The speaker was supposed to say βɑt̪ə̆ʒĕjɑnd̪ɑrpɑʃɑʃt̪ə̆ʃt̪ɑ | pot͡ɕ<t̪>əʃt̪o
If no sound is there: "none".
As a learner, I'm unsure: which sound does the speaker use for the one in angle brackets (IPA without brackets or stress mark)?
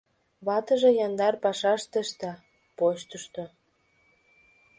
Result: t̪